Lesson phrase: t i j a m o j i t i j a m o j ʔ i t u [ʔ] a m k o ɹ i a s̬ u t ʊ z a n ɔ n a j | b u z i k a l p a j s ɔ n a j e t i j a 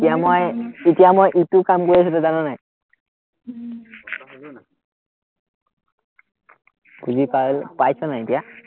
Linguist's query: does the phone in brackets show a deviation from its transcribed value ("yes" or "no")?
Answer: yes